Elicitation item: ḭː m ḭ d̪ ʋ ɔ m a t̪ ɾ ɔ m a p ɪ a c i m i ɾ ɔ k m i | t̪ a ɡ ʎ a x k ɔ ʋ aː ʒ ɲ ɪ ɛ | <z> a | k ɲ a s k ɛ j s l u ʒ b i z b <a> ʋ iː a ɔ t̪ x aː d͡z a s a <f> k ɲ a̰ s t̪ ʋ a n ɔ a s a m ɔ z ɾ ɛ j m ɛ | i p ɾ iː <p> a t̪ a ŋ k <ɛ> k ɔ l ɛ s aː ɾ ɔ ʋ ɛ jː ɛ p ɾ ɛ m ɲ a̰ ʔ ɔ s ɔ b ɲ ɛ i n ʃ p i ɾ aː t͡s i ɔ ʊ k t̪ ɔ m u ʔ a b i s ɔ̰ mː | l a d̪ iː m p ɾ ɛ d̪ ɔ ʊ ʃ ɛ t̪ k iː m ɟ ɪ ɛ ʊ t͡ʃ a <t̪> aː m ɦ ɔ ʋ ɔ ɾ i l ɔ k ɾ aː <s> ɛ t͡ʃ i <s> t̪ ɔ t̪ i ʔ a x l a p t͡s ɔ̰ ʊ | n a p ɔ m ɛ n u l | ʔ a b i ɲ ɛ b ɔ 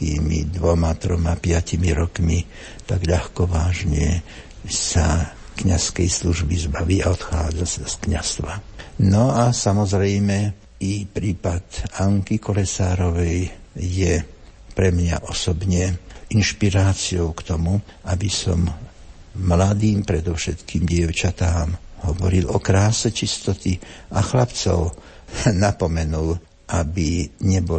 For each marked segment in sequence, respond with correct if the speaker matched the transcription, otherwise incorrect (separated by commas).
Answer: incorrect, correct, incorrect, correct, incorrect, correct, correct, correct